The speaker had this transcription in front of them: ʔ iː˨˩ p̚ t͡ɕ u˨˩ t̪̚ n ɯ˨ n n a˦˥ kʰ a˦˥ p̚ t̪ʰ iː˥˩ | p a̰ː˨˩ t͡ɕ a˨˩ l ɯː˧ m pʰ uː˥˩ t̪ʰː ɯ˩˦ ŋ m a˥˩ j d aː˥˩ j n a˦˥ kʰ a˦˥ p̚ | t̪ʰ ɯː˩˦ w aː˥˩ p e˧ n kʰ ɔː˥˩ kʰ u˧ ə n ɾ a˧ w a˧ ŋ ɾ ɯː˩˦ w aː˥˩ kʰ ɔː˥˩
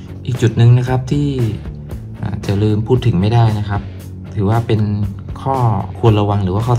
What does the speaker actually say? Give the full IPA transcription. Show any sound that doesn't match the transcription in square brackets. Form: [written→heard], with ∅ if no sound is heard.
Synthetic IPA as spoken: ʔ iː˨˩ [p̚→k̚] t͡ɕ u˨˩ t̪̚ n ɯ˨ [n→ŋ] n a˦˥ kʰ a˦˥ p̚ t̪ʰ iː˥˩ | [p→ʔ] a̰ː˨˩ t͡ɕ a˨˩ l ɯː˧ m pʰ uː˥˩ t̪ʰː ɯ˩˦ ŋ m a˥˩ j d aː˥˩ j n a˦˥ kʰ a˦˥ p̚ | t̪ʰ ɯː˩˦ w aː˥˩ p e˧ n kʰ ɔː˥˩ kʰ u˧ ə n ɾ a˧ w a˧ ŋ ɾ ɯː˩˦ w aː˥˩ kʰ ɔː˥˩